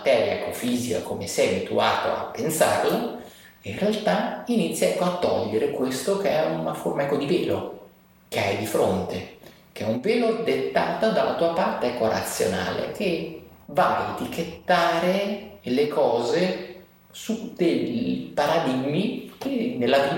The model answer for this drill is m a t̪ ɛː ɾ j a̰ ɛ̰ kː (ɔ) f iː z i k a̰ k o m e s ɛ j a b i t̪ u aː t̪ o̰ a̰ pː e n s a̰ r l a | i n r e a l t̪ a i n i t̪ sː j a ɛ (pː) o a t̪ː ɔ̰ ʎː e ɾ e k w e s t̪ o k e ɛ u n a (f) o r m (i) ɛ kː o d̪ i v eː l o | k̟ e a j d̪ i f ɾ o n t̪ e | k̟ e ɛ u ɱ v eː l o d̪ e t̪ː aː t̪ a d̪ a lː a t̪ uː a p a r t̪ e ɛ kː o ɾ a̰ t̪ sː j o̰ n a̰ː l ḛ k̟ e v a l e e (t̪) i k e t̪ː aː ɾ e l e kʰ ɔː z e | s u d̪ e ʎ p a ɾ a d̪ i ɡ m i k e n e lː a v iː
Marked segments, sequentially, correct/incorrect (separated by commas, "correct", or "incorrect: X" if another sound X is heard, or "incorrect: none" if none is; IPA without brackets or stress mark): incorrect: o, incorrect: kː, correct, incorrect: a, correct